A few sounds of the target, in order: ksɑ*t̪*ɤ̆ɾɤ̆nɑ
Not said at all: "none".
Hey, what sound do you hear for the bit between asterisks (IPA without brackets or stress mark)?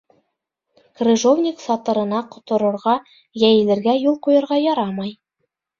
t̪